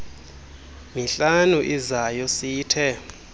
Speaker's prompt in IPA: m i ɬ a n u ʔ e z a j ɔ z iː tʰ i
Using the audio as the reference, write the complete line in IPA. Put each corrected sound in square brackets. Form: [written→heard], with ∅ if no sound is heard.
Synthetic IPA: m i ɬ a n u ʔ [e→i] z a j ɔ [z→s] iː tʰ [i→ɛ]